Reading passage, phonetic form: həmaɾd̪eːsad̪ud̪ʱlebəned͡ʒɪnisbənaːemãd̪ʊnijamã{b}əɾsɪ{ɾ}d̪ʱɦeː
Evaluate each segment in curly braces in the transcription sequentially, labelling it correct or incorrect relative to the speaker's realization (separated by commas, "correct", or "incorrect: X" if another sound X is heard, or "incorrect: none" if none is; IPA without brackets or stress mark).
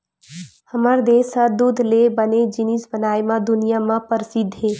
incorrect: p, incorrect: none